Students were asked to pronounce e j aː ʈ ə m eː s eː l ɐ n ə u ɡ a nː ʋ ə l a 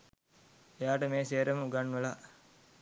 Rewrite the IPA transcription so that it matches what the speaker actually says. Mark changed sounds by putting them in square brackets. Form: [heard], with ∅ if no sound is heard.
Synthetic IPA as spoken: e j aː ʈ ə m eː s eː [ɾ] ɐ [m] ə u ɡ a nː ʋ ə l a